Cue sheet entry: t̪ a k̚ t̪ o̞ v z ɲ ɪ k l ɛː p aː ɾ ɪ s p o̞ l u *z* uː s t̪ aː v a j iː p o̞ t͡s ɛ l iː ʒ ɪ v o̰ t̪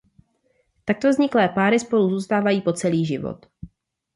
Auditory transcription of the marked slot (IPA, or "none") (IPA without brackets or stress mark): z